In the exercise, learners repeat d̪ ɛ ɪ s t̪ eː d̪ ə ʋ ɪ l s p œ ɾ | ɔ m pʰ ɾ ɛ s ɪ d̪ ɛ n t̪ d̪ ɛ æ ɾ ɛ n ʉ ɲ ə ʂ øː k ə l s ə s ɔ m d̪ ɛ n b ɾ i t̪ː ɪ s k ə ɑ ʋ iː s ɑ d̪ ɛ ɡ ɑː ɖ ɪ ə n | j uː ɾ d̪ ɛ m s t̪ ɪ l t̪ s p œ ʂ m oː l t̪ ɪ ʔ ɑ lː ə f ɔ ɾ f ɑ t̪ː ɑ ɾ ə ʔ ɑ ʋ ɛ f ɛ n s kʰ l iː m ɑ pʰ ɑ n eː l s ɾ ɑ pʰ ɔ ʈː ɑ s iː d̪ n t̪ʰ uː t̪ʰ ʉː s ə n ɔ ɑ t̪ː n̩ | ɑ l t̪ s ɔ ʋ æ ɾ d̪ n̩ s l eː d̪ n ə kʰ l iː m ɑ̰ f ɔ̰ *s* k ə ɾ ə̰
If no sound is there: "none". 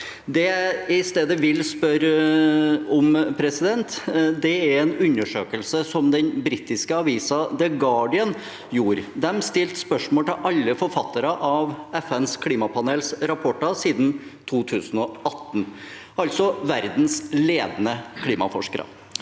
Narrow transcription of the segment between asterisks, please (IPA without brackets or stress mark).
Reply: ʂ